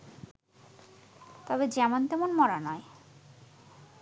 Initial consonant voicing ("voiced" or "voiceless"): voiceless